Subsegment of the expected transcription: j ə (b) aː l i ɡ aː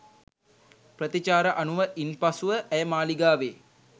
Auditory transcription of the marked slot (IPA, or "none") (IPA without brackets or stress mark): m